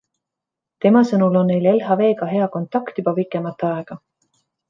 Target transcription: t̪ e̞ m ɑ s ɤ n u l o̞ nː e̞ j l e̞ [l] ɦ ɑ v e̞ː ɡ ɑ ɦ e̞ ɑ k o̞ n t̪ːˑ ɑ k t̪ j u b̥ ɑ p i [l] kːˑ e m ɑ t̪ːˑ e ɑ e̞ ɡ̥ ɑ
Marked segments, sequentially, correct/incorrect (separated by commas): correct, incorrect